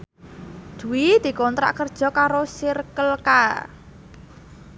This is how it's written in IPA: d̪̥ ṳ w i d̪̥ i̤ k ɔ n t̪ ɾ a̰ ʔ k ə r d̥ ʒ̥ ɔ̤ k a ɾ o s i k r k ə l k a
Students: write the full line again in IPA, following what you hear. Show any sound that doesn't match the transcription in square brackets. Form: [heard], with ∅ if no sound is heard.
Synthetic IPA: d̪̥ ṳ w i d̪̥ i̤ k ɔ n t̪ ɾ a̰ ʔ k ə r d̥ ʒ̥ ɔ̤ k a ɾ o s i [∅] r k ə l k a